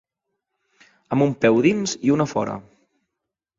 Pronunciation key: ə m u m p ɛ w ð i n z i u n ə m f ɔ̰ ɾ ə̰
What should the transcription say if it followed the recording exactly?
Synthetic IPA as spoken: ə m u m p ɛ w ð i n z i u n ə f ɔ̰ ɾ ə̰